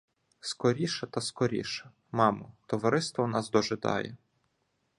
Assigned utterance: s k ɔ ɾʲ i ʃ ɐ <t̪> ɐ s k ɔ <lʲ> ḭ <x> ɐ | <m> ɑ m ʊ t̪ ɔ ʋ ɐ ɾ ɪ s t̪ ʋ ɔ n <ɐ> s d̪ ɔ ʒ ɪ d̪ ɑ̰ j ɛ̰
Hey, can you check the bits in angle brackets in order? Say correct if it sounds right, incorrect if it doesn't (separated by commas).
correct, incorrect, incorrect, correct, incorrect